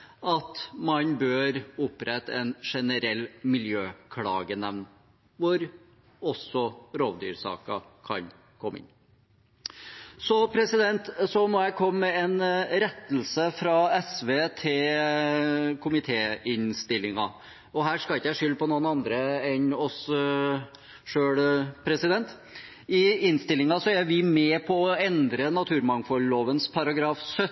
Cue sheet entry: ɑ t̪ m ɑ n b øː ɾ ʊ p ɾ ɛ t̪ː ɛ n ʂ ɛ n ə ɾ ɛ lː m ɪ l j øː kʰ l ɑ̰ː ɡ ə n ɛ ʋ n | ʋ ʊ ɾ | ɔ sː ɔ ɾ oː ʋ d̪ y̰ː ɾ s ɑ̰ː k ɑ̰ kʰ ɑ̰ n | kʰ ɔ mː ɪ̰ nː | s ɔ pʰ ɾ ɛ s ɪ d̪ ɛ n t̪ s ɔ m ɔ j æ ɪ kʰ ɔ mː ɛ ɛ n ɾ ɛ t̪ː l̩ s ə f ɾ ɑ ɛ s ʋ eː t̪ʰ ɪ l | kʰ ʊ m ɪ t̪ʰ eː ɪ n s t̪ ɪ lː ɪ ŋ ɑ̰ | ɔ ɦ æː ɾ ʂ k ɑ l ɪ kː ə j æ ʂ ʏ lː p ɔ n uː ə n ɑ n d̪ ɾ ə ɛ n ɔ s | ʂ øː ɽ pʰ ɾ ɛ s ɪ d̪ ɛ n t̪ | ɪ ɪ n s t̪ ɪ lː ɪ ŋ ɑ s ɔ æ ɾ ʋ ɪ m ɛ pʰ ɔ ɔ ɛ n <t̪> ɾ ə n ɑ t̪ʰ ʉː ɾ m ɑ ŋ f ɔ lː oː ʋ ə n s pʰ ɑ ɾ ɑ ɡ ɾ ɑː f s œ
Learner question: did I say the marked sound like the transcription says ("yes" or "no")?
no